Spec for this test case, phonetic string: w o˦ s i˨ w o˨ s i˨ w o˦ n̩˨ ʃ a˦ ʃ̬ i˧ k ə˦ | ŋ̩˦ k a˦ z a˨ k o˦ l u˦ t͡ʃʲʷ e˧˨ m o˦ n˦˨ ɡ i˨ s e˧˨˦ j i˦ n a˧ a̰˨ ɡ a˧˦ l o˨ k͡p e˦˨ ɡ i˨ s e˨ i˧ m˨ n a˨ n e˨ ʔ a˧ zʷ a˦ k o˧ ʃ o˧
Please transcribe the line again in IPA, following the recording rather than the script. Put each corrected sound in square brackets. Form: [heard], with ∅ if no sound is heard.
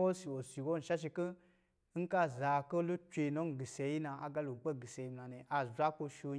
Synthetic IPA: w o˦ s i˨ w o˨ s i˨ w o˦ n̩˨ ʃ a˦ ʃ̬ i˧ k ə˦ | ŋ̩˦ k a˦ z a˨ k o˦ l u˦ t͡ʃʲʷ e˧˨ [n] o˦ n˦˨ ɡ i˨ s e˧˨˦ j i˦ n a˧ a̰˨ ɡ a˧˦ l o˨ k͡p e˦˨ ɡ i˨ s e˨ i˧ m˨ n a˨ n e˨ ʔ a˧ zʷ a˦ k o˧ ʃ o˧